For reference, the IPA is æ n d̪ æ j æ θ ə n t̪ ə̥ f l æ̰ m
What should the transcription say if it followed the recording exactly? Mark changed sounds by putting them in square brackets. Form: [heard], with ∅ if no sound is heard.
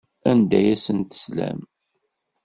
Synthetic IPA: æ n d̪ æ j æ [s] ə n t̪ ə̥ [s] l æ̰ m